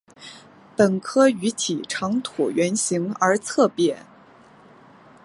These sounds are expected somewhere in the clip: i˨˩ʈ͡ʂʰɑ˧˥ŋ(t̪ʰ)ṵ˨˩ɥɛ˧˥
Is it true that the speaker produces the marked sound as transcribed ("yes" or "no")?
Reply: yes